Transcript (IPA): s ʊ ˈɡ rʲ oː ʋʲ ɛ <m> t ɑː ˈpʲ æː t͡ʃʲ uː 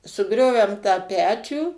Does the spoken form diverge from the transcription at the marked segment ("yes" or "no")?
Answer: no